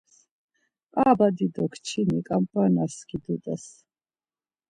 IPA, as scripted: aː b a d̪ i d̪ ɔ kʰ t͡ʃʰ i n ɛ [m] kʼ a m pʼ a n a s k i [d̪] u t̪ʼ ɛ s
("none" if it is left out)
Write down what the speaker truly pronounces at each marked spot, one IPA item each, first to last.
none, d̪

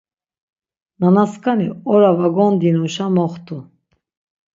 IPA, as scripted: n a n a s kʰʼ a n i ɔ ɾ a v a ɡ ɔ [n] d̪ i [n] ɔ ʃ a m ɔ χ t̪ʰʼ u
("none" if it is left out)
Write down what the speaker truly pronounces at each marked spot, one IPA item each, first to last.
n, n

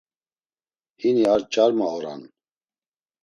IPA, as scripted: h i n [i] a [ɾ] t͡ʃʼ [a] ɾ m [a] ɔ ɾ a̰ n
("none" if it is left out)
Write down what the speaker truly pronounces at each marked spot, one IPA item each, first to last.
i, ɾ, a, a

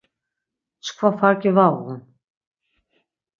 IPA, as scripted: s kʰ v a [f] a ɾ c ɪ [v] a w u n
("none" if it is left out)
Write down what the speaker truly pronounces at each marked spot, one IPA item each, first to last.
f, v

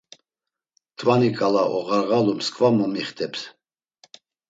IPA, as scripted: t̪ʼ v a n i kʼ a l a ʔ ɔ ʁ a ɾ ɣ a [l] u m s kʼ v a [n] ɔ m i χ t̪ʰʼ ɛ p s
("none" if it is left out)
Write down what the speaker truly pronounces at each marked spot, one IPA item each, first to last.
l, m

